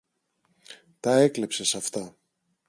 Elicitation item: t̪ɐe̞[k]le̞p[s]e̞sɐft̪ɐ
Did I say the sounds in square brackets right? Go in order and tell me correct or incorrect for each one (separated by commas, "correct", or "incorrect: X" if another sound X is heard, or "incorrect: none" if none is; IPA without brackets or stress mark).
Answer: correct, correct